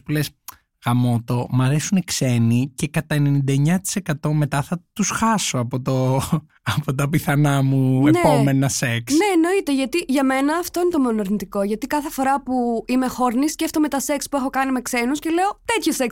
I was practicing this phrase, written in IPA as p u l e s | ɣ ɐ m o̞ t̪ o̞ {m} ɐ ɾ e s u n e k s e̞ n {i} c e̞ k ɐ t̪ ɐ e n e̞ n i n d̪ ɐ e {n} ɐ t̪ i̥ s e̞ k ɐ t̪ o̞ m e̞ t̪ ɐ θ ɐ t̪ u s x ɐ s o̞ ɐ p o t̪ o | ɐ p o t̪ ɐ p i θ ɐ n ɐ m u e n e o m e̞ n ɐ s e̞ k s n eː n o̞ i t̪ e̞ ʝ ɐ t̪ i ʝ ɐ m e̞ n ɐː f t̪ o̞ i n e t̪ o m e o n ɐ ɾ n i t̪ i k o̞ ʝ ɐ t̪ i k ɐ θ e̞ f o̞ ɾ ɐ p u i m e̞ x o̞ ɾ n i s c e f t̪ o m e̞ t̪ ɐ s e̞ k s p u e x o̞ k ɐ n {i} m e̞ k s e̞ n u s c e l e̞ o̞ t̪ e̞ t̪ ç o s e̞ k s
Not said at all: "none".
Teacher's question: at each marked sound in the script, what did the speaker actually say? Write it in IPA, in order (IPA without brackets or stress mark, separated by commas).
m, i, ɲ, i